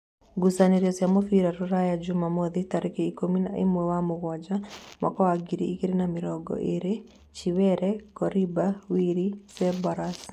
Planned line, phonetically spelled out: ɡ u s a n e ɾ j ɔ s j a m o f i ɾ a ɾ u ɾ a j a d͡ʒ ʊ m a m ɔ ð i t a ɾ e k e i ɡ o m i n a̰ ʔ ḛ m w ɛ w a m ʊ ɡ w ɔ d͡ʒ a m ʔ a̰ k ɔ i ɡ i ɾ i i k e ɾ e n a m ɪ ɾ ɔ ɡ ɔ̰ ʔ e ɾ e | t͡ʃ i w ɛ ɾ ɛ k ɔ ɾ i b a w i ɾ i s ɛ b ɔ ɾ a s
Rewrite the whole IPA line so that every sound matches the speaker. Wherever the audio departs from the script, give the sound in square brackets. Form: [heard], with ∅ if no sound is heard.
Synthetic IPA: ɡ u s a n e ɾ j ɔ s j a m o f i ɾ a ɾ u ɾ a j a d͡ʒ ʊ m a m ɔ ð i t a ɾ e k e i [k] o m i n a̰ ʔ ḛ m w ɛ w a m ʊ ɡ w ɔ d͡ʒ a m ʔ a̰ k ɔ [a] ɡ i ɾ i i k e ɾ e n a m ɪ ɾ ɔ ɡ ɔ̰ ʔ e ɾ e | t͡ʃ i w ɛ ɾ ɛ k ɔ ɾ i b a w i ɾ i s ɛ b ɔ ɾ a s